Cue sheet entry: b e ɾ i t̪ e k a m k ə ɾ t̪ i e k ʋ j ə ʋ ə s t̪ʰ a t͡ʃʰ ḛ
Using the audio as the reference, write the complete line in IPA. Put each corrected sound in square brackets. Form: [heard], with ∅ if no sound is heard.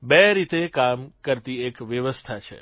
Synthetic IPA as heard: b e ɾ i t̪ e k a m k ə ɾ t̪ i e k ʋ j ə ʋ ə s t̪ʰ a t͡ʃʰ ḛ